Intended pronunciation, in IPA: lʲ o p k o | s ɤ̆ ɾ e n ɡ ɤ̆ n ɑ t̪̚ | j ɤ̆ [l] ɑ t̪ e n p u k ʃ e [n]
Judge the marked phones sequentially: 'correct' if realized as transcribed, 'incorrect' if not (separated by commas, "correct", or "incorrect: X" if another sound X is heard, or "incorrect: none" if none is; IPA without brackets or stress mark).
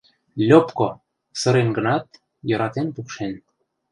incorrect: ɾ, correct